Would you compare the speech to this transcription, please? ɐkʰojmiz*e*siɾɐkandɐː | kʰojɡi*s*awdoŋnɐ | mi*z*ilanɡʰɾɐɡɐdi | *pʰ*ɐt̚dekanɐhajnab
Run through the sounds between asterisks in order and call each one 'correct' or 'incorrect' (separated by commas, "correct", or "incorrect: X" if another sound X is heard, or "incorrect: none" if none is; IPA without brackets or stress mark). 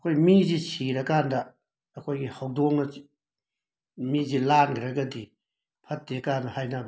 incorrect: i, incorrect: h, correct, correct